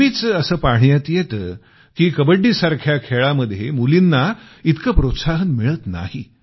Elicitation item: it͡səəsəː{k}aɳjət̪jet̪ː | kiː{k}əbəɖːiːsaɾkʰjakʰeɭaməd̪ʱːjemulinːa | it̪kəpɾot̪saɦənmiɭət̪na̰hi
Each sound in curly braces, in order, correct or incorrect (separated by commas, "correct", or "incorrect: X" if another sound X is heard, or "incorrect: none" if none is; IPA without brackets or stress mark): incorrect: p, correct